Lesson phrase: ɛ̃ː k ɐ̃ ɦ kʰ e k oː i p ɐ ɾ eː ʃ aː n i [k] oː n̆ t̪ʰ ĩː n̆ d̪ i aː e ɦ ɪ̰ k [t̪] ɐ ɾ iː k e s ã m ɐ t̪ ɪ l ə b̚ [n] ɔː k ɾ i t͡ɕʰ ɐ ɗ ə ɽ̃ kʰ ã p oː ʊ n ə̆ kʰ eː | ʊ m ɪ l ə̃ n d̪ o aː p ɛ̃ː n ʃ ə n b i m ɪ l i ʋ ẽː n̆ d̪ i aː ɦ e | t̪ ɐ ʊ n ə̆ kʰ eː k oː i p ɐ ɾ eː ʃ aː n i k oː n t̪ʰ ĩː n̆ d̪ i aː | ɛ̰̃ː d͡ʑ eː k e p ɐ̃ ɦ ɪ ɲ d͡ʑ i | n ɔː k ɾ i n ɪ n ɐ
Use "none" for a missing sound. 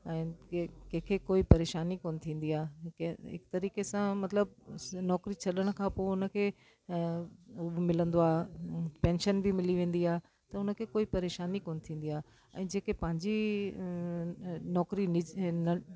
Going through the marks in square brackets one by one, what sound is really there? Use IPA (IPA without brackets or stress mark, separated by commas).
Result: k, t̪, n